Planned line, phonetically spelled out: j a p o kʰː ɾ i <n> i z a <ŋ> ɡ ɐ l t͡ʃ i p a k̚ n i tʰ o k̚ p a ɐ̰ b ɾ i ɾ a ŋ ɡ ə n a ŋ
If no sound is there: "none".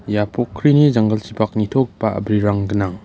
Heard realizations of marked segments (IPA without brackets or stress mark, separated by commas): n, ŋ